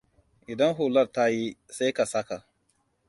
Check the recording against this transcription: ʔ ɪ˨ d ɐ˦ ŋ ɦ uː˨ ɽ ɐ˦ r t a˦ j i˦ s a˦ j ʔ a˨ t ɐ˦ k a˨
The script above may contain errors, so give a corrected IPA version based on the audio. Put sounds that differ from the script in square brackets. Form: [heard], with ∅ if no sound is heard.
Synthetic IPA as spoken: ʔ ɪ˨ d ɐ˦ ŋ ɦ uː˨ [l] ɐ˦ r t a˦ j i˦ s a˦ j [k] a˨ [s] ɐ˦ k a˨